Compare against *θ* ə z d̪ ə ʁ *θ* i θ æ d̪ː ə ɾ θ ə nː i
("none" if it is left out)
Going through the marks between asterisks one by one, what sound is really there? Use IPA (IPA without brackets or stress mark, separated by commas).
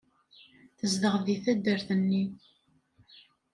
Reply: θ, ð